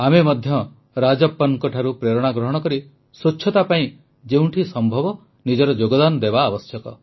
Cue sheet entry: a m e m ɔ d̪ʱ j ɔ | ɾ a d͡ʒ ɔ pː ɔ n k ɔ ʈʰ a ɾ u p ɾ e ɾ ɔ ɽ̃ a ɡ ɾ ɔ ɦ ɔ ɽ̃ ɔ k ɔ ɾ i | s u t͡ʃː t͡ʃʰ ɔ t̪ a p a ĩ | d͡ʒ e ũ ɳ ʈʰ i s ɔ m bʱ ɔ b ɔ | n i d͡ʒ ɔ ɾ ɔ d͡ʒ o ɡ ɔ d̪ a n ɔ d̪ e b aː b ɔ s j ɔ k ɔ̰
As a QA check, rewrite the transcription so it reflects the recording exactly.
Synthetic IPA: a m e m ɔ d̪ʱ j ɔ | ɾ a d͡ʒ ɔ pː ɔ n k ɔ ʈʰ a ɾ u p ɾ e ɾ ɔ ɽ̃ a ɡ ɾ ɔ ɦ ɔ ɽ̃ ɔ k ɔ ɾ i | s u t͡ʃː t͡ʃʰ ɔ t̪ a p a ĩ | d͡ʒ e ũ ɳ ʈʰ i s ɔ m bʱ ɔ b ɔ | n i d͡ʒ ɔ ɾ ɔ d͡ʒ o ɡ ɔ d̪ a n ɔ d̪ e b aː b ɔ s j ɔ k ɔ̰